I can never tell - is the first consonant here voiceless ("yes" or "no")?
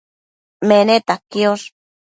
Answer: no